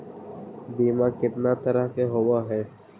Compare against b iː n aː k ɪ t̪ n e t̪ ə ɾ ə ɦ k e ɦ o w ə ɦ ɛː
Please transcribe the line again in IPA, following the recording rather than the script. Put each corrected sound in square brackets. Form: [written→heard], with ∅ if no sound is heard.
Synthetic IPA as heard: b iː [n→m] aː k ɪ t̪ n [e→a] t̪ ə ɾ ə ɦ k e ɦ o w [ə→a] ɦ ɛː